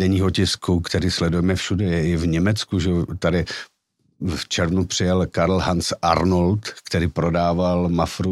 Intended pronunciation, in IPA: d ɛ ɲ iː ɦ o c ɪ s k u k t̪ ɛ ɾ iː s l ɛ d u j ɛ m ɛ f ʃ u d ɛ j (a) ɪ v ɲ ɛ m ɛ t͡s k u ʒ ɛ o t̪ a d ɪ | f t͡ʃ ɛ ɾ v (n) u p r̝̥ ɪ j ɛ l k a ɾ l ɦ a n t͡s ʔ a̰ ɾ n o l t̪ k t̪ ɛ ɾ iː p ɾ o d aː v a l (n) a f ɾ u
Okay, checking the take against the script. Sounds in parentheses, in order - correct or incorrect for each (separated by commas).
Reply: incorrect, correct, incorrect